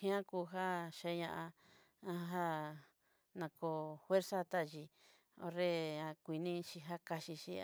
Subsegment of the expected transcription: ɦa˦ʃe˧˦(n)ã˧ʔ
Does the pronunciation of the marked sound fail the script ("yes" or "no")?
yes